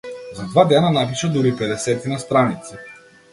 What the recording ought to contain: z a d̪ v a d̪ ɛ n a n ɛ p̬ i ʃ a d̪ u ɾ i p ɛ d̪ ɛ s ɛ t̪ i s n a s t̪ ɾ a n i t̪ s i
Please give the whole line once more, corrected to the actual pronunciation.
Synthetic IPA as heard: z a d̪ v a d̪ ɛ n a n a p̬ i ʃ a d̪ u ɾ i p ɛ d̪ ɛ s ɛ t̪ i n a s t̪ ɾ a n i t̪ s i